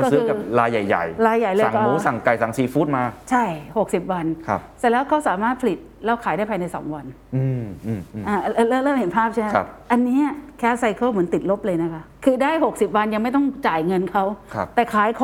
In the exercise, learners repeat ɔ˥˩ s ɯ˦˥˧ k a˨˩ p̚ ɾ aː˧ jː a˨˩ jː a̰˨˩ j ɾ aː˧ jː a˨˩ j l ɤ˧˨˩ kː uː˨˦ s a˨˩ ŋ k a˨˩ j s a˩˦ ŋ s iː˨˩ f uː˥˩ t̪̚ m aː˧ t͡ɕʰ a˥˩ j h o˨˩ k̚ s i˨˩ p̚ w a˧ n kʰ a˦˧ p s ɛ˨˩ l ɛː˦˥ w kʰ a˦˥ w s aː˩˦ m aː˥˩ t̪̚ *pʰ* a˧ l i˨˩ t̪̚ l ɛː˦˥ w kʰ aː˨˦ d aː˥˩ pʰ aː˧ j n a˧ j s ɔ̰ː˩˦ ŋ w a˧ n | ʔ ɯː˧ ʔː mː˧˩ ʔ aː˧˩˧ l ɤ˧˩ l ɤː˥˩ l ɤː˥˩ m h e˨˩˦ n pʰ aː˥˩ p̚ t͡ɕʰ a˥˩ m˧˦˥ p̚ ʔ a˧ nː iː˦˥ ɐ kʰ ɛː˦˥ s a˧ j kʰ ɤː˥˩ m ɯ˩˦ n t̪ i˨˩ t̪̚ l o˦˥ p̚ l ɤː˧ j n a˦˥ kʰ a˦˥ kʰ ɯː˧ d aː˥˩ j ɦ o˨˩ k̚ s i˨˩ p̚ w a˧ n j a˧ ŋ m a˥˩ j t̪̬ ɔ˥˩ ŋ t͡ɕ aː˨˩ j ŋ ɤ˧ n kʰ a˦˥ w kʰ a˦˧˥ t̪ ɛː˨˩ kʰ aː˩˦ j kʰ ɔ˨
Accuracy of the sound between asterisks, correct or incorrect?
correct